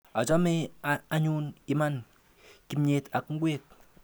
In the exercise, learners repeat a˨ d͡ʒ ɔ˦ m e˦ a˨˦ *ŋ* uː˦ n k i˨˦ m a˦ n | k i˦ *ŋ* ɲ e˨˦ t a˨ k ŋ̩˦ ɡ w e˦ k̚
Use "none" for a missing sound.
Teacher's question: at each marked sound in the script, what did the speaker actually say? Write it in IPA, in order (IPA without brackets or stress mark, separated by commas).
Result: ɲ, m